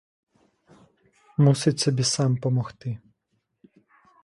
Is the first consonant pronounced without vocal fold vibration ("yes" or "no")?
no